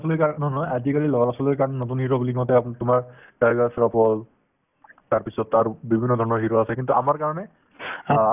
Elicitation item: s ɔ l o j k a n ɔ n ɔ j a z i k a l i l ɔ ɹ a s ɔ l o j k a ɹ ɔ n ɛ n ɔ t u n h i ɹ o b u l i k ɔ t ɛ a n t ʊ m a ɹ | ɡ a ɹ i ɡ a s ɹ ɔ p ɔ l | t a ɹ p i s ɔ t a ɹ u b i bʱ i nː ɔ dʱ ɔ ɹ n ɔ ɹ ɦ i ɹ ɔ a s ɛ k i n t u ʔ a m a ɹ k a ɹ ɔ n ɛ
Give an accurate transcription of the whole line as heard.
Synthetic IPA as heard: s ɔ l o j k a n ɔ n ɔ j a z i k a l i l ɔ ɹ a s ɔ l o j k a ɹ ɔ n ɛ n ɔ t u n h i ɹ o b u l i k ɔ t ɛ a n t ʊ m a ɹ | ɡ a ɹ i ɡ a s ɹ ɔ p ɔ l | t a ɹ p i s ɔ t a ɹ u b i bʱ i nː ɔ dʱ ɔ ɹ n ɔ ɹ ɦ i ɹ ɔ a s ɛ k i n t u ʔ a m a ɹ k a ɹ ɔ n ɛ